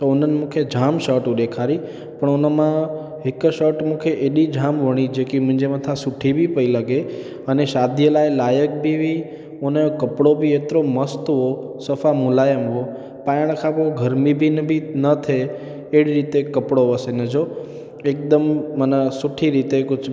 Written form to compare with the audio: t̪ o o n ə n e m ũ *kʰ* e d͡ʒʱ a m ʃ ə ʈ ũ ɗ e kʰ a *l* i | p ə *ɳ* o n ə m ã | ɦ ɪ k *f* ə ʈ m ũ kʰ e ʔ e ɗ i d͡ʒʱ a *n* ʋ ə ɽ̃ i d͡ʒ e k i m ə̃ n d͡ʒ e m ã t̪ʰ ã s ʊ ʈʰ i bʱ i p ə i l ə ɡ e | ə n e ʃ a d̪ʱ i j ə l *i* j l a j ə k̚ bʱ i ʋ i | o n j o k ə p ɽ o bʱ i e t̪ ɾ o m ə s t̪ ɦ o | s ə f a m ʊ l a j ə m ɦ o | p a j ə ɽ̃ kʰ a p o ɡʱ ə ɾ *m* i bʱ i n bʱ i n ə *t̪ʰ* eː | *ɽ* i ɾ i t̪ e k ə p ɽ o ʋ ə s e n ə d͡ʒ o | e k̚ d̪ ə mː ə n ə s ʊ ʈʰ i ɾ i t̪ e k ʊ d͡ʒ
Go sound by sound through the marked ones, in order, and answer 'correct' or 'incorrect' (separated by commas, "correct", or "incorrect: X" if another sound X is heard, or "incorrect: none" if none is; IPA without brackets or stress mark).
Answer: correct, incorrect: ɾ, correct, incorrect: ʃ, incorrect: m, incorrect: a, correct, correct, correct